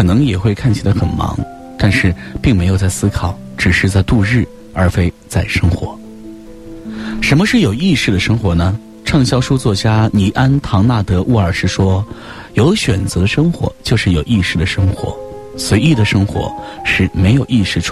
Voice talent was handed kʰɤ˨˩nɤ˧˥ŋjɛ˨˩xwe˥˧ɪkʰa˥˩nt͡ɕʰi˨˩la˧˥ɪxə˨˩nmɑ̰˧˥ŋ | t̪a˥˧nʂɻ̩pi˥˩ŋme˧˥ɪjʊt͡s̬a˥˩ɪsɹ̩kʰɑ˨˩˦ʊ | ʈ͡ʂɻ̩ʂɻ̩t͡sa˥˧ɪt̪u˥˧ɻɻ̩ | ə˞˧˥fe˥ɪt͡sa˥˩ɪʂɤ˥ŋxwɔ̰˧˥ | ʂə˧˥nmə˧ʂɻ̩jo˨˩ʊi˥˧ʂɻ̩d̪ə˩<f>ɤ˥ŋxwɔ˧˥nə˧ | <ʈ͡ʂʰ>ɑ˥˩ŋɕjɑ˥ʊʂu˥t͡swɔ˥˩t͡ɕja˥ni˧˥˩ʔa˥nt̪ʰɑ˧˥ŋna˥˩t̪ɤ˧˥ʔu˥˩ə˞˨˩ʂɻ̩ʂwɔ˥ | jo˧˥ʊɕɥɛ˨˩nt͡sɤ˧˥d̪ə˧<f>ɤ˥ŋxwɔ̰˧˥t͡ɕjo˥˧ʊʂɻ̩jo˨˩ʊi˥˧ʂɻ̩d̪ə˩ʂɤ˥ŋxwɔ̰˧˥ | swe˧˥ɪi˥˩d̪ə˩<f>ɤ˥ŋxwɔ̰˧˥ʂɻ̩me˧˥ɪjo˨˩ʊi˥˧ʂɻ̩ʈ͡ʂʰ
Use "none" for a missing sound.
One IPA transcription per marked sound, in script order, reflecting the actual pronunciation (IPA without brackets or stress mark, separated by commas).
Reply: ʂ, ʈ͡ʂʰ, ʂ, ʂ